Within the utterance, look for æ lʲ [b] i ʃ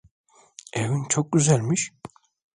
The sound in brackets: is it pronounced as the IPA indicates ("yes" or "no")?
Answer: no